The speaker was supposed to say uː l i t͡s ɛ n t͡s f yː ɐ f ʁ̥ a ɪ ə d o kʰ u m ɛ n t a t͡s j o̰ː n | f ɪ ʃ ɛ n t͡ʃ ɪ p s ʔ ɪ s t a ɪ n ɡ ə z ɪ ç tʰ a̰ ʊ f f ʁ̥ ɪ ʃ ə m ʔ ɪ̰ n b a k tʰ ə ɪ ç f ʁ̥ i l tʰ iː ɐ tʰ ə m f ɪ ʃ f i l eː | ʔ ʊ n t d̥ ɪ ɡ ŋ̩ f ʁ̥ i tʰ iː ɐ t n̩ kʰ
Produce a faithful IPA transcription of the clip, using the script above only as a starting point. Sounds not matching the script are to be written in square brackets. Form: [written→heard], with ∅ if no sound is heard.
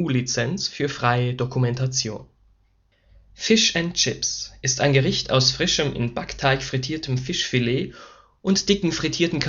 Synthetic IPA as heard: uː l i t͡s ɛ n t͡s f yː ɐ f ʁ̥ a ɪ ə d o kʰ u m ɛ n t a t͡s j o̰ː n | f ɪ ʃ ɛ n t͡ʃ ɪ p s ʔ ɪ s t a ɪ n ɡ ə [z→ʁ] ɪ ç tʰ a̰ ʊ [f→s] f ʁ̥ ɪ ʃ ə m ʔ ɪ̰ n b a k tʰ [ə→a] ɪ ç f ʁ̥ i [l→∅] tʰ iː ɐ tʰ ə m f ɪ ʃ f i l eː | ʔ ʊ n t d̥ ɪ [ɡ→k] ŋ̩ f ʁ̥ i tʰ iː ɐ t n̩ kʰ